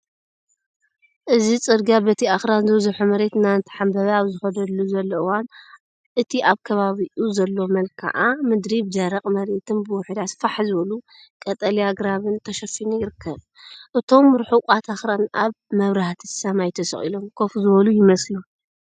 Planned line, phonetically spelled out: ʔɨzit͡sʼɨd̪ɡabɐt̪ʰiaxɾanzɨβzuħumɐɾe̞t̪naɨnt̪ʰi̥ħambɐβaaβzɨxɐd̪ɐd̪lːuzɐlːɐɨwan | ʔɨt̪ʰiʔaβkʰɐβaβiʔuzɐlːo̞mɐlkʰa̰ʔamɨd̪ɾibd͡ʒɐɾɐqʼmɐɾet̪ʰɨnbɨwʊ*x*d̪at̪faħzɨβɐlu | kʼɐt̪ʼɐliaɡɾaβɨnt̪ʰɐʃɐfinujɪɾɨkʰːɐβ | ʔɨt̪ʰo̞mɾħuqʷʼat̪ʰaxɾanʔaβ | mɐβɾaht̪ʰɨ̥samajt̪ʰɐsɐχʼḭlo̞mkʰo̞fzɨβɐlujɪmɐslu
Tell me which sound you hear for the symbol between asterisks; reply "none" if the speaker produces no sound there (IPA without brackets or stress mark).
ħ